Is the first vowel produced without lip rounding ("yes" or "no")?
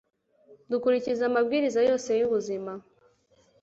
no